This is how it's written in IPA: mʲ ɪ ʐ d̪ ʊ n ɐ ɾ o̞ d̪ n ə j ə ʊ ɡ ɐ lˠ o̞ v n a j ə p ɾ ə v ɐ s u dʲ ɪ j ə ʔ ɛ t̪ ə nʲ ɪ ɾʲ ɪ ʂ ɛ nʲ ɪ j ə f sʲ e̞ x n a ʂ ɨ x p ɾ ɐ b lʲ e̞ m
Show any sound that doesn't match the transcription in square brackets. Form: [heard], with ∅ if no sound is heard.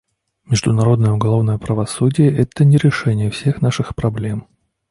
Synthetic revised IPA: mʲ ɪ ʐ d̪ ʊ n ɐ ɾ o̞ d̪ n ə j ə ʊ ɡ ɐ lˠ o̞ v n [ə] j ə p ɾ ə v ɐ s u dʲ ɪ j ə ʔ ɛ t̪ ə nʲ ɪ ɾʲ ɪ ʂ ɛ nʲ ɪ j ə f sʲ e̞ x n a ʂ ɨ x p ɾ ɐ b lʲ e̞ m